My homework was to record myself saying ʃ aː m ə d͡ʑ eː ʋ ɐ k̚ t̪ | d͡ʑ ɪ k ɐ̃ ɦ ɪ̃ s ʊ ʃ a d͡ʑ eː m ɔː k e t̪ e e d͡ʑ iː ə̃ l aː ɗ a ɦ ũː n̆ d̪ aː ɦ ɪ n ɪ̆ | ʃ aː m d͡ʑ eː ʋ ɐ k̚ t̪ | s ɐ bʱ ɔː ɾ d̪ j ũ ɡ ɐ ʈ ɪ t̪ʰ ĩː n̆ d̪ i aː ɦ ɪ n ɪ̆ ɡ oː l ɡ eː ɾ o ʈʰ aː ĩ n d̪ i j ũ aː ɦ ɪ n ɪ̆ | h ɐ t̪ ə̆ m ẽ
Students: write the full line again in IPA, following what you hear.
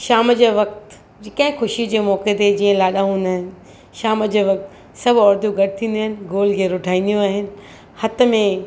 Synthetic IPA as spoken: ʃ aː m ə d͡ʑ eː ʋ ɐ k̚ t̪ | d͡ʑ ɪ k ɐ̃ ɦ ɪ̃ x ʊ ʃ i d͡ʑ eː m ɔː k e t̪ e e d͡ʑ iː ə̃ l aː ɗ a ɦ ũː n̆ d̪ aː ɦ ɪ n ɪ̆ | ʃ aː m d͡ʑ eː ʋ ɐ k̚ t̪ | s ɐ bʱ ɔː ɾ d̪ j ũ ɡ ɐ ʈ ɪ t̪ʰ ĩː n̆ d̪ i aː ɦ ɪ n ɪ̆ ɡ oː l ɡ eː ɾ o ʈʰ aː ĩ n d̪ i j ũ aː ɦ ɪ n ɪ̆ | h ɐ t̪ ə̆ m ẽ